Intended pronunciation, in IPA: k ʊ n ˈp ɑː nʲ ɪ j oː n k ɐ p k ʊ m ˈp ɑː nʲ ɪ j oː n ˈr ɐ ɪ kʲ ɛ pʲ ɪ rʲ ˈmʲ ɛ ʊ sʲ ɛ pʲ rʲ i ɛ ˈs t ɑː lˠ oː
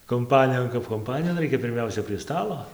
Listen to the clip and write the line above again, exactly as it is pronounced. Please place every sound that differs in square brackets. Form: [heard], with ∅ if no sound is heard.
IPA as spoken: k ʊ [m] ˈp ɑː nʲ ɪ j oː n k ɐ p k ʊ m ˈp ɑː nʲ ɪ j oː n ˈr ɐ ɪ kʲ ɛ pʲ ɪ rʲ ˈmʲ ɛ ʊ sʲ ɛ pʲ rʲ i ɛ ˈs t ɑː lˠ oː